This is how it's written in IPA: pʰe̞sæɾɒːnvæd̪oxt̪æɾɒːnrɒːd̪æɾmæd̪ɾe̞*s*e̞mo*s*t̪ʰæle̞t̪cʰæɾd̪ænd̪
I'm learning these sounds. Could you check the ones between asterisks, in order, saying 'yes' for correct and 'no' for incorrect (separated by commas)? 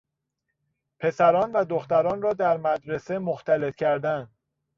yes, no